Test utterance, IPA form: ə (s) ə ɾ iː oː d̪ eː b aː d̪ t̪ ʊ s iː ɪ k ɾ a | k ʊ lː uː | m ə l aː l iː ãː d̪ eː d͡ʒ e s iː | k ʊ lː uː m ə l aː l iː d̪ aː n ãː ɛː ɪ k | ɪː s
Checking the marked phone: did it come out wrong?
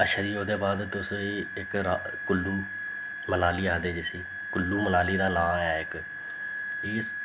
yes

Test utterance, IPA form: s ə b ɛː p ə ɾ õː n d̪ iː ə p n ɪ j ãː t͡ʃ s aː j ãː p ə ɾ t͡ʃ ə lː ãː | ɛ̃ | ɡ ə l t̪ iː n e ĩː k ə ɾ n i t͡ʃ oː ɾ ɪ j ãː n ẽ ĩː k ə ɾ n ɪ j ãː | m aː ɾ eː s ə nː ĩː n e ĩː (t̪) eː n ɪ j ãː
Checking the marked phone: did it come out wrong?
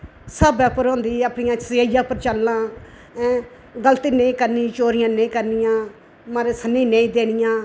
yes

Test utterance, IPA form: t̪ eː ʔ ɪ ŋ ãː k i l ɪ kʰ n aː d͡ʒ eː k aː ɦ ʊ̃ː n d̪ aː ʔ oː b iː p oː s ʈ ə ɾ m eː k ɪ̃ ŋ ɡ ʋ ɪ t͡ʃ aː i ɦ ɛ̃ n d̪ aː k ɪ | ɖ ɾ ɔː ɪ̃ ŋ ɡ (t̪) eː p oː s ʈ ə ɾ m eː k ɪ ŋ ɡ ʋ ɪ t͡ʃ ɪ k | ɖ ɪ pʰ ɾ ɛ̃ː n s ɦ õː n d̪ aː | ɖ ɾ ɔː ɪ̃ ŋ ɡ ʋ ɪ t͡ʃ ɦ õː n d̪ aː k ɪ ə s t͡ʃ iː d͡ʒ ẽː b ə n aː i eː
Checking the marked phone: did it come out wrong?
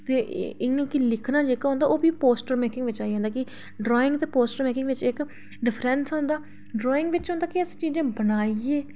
no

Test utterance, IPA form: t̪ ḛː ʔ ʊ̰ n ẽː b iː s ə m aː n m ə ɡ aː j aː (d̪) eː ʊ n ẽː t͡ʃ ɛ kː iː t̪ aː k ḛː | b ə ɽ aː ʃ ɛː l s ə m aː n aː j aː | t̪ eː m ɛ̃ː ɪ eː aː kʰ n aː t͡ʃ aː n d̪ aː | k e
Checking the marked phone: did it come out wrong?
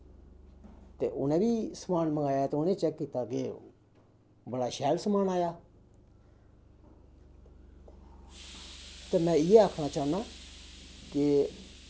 yes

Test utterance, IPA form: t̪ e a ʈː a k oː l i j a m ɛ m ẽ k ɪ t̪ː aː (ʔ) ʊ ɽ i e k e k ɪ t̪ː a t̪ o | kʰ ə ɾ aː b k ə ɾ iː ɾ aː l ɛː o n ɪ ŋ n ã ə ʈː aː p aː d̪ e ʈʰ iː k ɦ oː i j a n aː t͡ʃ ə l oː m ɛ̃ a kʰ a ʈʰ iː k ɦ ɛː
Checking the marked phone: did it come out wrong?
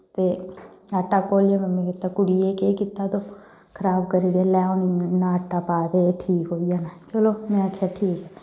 yes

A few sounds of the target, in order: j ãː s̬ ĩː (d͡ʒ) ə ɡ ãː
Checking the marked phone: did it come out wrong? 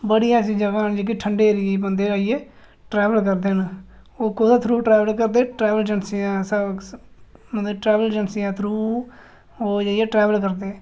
no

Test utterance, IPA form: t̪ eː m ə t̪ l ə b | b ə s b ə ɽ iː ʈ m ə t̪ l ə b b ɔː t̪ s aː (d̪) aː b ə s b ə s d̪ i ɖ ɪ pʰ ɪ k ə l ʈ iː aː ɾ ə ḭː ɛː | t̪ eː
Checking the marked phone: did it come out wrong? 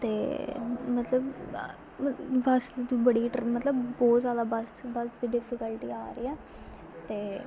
no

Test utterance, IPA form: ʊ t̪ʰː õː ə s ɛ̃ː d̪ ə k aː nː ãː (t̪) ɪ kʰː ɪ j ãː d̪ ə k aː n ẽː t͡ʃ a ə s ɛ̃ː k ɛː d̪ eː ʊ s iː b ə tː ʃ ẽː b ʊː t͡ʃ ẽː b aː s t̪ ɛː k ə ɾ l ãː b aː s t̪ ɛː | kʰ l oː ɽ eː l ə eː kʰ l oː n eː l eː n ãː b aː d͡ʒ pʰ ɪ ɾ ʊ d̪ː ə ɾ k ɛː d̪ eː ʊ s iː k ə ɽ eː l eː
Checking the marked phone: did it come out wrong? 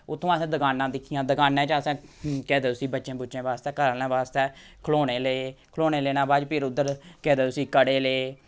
yes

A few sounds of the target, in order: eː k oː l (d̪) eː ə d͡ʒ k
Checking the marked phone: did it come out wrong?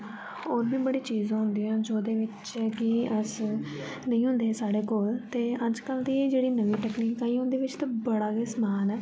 yes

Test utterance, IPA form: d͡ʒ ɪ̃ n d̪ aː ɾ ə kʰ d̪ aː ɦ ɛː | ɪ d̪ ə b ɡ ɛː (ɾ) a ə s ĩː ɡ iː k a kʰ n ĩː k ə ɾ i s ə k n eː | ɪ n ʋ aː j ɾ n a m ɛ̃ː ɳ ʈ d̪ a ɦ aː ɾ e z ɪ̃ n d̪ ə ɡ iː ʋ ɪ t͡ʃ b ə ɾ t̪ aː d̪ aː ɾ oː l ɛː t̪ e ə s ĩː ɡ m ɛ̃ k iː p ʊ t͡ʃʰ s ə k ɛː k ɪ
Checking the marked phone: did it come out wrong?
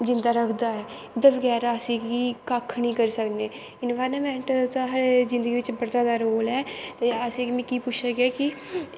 no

